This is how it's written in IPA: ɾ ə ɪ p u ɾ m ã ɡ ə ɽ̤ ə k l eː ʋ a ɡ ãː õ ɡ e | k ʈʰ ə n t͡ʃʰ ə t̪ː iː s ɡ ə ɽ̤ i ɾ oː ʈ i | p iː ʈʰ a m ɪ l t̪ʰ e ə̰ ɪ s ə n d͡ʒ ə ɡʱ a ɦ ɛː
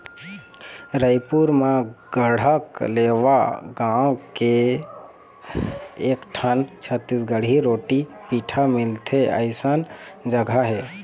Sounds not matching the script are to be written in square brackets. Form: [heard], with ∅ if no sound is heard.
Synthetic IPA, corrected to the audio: ɾ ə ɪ p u ɾ m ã ɡ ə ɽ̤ ə k l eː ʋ a ɡ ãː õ [k] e | k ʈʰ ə n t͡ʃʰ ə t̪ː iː s ɡ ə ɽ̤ i ɾ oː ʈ i | p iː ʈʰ a m ɪ l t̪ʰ e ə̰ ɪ s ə n d͡ʒ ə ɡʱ a ɦ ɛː